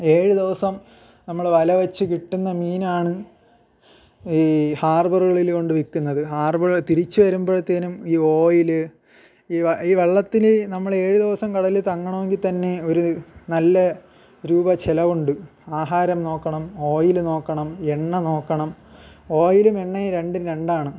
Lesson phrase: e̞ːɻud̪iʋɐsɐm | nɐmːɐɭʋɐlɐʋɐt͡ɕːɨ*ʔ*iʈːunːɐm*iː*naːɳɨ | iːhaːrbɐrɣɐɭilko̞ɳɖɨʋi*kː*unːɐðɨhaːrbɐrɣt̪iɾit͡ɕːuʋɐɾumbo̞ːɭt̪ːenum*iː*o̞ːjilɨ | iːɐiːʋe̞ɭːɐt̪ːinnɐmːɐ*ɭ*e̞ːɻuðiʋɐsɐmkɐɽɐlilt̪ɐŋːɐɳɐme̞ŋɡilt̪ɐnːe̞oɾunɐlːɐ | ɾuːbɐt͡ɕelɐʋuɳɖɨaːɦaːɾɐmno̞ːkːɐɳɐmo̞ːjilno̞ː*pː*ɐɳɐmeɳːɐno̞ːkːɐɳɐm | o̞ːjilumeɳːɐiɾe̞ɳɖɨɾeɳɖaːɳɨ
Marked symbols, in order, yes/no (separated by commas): no, yes, yes, yes, yes, no